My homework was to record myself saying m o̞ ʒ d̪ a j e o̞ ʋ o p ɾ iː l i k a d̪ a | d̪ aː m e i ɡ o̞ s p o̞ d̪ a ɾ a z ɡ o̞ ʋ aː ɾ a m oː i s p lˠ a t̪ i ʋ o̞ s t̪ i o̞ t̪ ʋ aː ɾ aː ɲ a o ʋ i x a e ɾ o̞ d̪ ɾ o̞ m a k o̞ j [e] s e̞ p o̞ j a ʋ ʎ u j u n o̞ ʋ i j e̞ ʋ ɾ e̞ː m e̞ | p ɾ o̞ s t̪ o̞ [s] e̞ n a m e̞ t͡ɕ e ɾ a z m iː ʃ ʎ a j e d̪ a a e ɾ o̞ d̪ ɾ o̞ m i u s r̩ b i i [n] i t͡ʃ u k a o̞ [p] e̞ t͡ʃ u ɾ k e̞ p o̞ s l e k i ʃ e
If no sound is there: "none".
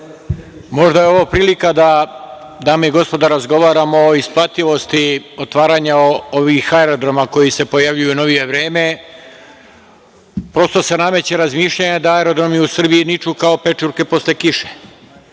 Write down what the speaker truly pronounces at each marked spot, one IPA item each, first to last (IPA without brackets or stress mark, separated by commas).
i, s, n, p